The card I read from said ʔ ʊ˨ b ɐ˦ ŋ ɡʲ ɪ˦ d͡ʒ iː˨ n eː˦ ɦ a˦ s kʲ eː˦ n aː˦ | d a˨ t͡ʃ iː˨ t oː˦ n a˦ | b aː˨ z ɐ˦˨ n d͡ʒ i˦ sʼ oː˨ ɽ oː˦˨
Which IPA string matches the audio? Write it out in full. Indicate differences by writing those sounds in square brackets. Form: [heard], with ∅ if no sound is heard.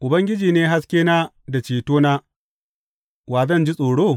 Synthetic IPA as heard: ʔ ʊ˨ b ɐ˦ ŋ ɡʲ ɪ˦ d͡ʒ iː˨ n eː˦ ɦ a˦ s kʲ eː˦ n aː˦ | d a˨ t͡ʃ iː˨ t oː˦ n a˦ | [w] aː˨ z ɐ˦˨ n d͡ʒ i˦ sʼ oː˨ ɽ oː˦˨